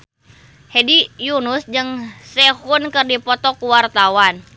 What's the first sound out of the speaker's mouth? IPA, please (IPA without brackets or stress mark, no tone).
h